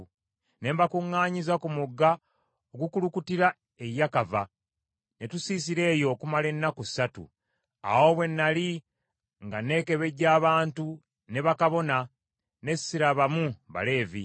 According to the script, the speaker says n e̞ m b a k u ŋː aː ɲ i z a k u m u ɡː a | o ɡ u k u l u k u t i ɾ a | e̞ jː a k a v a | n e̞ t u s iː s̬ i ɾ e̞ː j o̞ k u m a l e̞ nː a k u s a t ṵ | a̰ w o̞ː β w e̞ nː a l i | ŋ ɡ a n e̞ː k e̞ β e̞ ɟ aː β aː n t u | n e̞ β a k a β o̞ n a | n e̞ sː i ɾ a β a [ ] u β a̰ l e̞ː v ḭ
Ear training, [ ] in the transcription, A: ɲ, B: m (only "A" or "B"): B